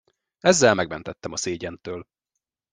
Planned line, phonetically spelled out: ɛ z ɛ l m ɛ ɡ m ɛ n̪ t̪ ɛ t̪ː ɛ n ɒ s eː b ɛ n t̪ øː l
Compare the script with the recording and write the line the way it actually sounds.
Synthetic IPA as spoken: ɛ zː ɛ l m ɛ ɡ m ɛ n̪ t̪ ɛ t̪ː ɛ m ɒ s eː ɟ ɛ n t̪ øː l

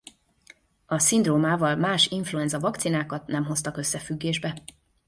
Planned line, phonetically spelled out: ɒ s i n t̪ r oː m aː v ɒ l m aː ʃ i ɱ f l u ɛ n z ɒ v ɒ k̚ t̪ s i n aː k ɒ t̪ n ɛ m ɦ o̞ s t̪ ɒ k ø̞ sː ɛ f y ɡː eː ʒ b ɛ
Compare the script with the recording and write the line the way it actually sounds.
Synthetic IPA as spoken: ɒ s i n d̪ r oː m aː v ɒ l m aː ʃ i ɱ f l u ɛ n z ɒ v ɒ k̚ t̪ s i n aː k ɒ t̪ n ɛ m ɦ o̞ s t̪ ɒ k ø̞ sː ɛ f y ɡː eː ʒ b ɛ

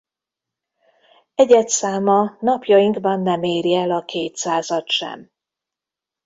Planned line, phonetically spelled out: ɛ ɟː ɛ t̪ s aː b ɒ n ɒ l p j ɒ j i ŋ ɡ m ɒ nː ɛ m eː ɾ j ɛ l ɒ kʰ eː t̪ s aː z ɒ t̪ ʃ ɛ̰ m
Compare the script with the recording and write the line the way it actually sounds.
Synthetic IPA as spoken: ɛ ɟ ɛ t̪ s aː m ɒ n ɒ p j ɒ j i ŋ ɡ b ɒ nː ɛ m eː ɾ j ɛ l ɒ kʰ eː t̪ s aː z ɒ t̪ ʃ ɛ̰ m

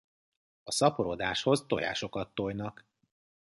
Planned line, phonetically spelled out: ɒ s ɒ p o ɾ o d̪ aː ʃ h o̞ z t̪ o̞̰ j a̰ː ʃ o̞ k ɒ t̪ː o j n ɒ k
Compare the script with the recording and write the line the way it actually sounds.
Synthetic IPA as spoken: ɒ s ɒ p o ɾ o d̪ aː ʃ h o̞ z t̪ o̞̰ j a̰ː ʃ o̞ k ɒ t̪ː o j n ɒ k

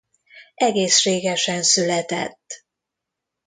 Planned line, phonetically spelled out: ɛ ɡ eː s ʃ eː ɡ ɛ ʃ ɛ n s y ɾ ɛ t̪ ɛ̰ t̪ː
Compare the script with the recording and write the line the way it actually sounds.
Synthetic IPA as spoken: ɛ ɡ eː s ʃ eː ɡ ɛ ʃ ɛ n s y l ɛ t̪ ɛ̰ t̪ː

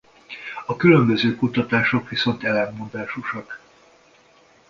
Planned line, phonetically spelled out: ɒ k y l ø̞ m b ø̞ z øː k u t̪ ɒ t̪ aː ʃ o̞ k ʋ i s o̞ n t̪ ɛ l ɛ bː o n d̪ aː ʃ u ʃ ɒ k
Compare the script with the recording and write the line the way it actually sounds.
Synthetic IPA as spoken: ɒ k y l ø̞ m b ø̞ z øː k u t̪ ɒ t̪ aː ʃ o̞ k ʋ i s o̞ n t̪ ɛ l ɛ mː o n d̪ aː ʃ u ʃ ɒ k

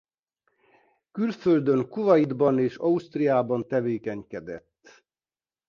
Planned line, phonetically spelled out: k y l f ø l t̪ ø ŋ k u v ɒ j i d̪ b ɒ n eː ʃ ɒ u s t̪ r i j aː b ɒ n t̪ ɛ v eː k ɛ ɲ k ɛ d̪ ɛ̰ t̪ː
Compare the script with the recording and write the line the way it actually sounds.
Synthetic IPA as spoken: k y l f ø l d̪ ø ŋ k u v ɒ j i d̪ b ɒ n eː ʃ ɒ u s t̪ r i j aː b ɒ n t̪ ɛ v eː k ɛ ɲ k ɛ d̪ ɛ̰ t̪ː

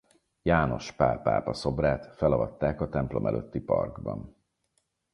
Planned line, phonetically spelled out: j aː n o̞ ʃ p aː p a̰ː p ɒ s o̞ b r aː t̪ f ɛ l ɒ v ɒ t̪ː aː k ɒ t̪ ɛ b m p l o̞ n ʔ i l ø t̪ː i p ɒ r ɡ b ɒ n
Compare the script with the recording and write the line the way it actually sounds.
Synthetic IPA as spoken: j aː n o̞ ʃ p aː p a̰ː p ɒ s o̞ b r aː t̪ f ɛ l ɒ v ɒ t̪ː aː k ɒ t̪ ɛ m p l o̞ m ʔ ɛ l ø t̪ː i p ɒ r ɡ b ɒ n

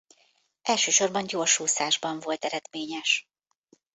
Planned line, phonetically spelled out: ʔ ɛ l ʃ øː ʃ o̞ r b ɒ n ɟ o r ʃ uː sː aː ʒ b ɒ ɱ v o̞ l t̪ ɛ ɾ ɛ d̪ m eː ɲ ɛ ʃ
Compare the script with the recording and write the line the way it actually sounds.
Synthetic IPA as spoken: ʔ ɛ l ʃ øː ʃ o̞ r b ɒ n ɟ o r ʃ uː s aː ʒ b ɒ ɱ v o̞ l t̪ ɛ ɾ ɛ d̪ m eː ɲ ɛ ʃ

